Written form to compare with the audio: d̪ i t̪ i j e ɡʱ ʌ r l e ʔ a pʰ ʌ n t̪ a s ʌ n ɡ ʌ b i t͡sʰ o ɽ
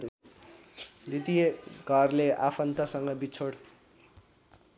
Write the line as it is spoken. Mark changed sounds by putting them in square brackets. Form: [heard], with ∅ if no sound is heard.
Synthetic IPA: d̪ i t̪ i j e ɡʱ ʌ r l e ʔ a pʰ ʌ n t̪ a s ʌ [ŋ] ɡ ʌ b i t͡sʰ o ɽ